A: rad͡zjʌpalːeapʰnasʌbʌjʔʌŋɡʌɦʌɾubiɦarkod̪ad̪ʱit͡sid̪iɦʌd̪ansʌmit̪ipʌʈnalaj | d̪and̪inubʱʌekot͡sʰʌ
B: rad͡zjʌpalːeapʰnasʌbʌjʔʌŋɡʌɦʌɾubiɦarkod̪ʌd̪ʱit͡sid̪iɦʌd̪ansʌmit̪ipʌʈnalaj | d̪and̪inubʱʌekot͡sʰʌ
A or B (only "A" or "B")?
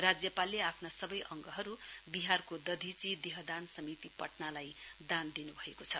B